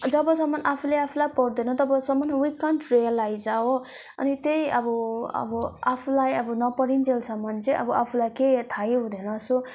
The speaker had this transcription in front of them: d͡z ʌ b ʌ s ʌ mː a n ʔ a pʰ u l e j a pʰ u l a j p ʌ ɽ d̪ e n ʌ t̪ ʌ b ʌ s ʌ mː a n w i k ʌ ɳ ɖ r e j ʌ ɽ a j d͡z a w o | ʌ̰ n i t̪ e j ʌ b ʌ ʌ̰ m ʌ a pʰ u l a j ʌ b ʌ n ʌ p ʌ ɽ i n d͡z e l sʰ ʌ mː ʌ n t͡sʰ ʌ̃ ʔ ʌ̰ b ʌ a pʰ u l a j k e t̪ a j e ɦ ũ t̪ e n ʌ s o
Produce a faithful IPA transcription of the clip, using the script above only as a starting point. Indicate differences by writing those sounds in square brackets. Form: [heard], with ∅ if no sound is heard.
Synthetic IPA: d͡z ʌ b ʌ s ʌ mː [ʌ] n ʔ a pʰ u l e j a pʰ u l a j p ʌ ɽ d̪ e n ʌ t̪ ʌ b ʌ s ʌ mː [ʌ] n w i k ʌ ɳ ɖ r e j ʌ [l] a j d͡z a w o | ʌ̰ n i t̪ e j ʌ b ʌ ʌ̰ [b] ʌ a pʰ u l a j ʌ b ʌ n ʌ p ʌ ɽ i n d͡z e l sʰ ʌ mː ʌ n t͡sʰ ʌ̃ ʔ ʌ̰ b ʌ a pʰ u l a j k e [t̪ʰ] a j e ɦ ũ [d̪] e n ʌ s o